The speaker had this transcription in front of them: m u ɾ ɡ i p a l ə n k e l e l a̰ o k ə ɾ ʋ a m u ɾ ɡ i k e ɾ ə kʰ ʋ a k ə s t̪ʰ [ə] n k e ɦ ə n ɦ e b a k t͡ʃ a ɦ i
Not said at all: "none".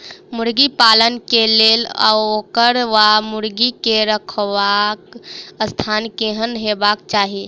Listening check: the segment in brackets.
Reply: a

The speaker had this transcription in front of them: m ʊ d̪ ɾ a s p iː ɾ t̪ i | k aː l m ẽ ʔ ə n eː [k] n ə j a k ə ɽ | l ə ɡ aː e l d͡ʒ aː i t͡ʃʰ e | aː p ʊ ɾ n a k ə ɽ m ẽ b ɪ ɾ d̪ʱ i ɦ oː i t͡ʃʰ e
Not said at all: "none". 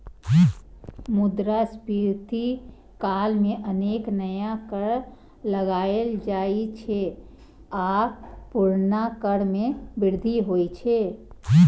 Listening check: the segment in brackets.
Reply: k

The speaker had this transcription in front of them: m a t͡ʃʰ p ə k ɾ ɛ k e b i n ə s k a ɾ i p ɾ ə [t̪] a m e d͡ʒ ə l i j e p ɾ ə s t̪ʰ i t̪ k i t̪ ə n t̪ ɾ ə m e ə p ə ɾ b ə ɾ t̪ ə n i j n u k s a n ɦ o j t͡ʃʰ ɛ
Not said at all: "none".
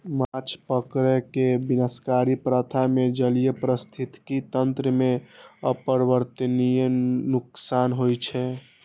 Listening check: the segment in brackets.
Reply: t̪ʰ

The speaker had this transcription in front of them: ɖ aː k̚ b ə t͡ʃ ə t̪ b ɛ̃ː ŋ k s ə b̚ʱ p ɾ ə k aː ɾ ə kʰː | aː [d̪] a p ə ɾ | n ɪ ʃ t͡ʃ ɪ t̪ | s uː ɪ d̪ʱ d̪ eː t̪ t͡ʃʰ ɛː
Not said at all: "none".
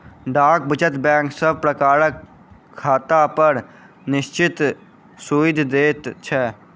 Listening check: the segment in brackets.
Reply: t̪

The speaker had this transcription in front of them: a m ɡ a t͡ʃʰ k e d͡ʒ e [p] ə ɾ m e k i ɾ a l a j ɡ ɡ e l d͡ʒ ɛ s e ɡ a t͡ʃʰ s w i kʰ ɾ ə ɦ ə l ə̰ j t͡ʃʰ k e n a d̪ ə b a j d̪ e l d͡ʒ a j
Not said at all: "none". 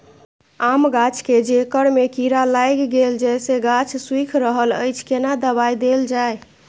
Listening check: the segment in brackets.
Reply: k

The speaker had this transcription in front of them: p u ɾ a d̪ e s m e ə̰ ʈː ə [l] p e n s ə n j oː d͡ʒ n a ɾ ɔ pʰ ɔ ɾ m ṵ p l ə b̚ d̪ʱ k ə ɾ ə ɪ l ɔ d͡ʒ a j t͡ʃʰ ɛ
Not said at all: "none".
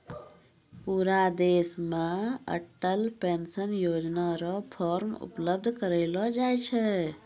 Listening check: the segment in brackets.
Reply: l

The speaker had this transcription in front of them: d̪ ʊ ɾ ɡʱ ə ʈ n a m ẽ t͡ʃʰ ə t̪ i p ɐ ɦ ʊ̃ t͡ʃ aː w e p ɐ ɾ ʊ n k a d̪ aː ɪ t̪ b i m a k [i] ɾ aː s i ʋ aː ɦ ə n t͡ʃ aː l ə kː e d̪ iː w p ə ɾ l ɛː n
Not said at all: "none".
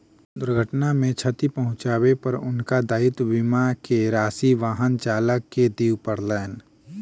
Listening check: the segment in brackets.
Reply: e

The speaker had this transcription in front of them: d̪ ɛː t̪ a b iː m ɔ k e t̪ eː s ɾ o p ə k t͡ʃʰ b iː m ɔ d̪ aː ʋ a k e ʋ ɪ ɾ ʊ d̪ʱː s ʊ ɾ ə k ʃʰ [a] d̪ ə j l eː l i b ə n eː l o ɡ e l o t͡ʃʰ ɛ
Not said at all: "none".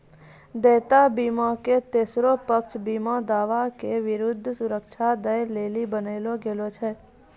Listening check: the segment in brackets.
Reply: a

